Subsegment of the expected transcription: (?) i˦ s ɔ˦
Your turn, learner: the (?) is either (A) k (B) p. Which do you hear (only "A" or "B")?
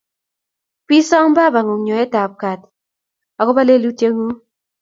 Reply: B